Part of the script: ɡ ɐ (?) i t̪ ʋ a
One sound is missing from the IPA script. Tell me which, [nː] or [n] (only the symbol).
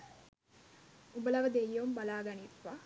n